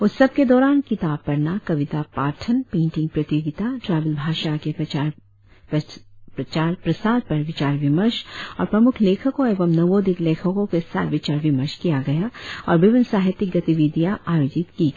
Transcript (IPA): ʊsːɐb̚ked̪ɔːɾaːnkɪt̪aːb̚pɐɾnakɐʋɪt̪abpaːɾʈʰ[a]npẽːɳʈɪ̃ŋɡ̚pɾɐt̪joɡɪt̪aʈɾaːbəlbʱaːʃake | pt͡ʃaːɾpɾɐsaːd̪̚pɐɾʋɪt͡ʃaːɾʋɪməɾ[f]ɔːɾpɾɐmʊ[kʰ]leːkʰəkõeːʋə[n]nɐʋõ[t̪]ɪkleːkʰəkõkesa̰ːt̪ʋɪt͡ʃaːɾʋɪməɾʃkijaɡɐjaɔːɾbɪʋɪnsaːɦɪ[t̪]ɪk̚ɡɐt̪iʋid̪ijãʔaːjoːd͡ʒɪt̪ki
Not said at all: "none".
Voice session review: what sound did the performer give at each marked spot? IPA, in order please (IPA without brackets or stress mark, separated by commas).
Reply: ə, ʃ, kʰ, m, d̪, t̪